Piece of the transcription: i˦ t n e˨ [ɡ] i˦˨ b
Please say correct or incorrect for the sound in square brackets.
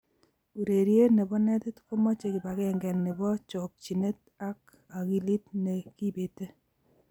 incorrect